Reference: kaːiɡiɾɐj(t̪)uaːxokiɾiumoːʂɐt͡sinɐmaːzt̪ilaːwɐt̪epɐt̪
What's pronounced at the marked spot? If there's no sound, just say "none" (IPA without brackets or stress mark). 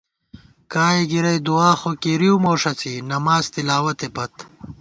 d̪